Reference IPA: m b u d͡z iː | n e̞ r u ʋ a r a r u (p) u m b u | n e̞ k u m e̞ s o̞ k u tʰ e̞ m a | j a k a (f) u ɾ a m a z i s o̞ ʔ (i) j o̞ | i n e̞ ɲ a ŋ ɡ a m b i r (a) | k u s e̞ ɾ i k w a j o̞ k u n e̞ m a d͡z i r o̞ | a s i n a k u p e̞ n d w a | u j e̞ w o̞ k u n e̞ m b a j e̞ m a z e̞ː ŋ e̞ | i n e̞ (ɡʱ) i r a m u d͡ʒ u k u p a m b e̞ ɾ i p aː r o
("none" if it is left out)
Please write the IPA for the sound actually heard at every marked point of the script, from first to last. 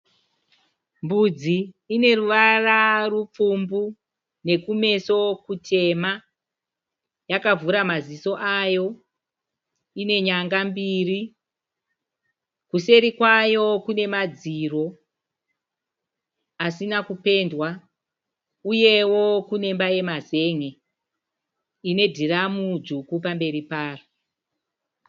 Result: p͡f, v, a, i, dʱ

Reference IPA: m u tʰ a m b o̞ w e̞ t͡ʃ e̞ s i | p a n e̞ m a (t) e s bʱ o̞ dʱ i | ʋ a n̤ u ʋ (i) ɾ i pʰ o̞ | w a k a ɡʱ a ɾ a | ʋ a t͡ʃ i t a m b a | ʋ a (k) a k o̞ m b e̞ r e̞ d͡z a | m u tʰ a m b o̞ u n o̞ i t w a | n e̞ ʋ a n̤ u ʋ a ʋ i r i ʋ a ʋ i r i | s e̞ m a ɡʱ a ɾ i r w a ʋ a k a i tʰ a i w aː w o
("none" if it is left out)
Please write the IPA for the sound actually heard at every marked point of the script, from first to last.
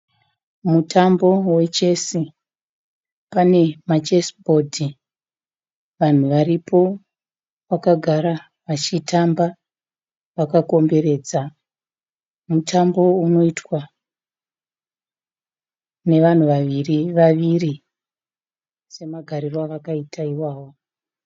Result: t͡ʃ, a, k

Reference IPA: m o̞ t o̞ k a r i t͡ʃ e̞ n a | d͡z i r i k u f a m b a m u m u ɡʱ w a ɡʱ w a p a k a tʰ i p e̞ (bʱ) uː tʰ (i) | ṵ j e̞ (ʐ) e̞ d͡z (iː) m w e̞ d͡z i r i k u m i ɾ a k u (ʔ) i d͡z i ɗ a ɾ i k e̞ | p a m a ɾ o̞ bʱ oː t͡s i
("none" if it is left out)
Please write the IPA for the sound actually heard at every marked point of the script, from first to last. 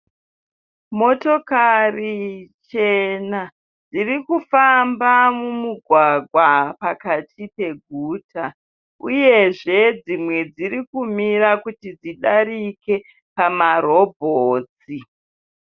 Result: ɡʱ, a, ʐ, i, t

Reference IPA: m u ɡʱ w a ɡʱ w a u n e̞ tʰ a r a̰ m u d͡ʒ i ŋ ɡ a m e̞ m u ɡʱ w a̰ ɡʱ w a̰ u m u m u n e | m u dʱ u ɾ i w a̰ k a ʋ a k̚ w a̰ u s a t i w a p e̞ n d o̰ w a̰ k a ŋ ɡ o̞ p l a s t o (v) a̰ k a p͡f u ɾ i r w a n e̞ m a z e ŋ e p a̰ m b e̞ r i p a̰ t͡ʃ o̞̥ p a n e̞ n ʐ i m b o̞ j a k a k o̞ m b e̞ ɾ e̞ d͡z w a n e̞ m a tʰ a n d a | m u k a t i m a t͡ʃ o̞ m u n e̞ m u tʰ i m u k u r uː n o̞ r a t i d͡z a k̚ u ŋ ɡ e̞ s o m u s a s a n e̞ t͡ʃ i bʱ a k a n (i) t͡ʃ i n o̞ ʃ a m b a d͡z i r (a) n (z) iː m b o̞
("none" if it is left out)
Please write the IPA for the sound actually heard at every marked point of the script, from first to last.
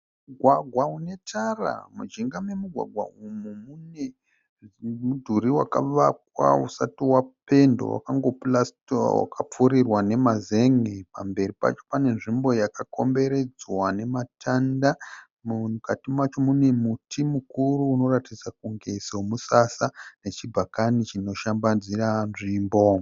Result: w, i, a, ʐ

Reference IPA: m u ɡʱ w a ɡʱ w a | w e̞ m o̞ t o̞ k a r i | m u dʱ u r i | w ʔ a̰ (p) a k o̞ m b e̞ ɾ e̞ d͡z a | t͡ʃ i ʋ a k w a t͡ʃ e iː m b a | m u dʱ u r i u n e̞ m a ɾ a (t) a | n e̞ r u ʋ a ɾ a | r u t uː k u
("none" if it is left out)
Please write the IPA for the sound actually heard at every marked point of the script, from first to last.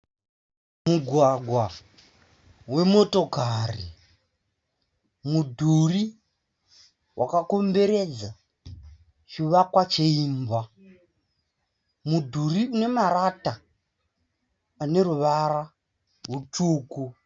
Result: k, t

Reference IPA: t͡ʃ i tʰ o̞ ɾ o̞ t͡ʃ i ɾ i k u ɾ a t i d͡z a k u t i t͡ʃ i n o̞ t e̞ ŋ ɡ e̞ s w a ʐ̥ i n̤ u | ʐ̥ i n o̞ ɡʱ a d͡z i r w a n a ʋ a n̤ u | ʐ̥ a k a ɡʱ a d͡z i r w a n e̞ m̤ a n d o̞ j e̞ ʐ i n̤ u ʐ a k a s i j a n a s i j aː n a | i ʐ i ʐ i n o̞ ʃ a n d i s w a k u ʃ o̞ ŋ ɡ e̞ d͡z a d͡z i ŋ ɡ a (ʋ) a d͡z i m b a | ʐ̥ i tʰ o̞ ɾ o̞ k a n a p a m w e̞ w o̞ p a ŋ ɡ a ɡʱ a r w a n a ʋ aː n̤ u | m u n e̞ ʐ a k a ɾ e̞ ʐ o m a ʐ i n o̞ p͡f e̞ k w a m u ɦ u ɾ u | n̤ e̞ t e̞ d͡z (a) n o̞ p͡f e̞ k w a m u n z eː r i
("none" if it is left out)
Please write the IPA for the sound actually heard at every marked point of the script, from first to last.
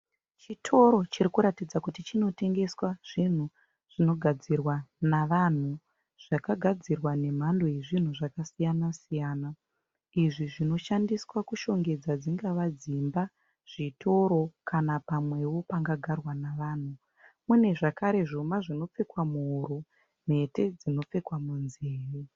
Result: ʋ, i

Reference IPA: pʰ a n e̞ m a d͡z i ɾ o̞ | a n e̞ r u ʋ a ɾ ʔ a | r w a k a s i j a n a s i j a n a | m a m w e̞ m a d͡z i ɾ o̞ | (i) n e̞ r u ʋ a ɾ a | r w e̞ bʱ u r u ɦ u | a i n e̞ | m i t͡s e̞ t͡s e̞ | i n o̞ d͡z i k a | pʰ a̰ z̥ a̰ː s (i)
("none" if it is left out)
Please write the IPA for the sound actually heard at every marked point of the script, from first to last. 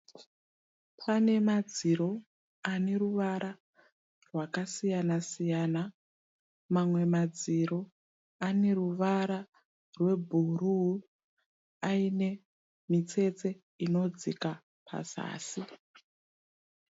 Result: a, i

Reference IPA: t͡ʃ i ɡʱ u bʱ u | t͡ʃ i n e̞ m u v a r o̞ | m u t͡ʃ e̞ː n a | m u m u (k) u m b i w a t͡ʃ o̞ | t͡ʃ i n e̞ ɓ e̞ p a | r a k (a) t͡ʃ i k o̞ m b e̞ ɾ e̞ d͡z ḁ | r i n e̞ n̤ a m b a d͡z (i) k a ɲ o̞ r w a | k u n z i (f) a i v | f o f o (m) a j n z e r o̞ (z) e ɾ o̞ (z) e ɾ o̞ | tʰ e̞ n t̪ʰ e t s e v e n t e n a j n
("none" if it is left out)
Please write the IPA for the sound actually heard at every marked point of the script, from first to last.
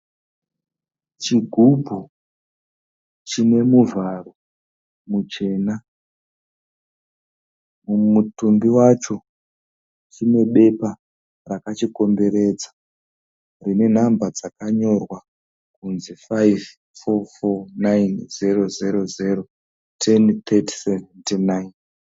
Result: t, a, a, f, n, z, z

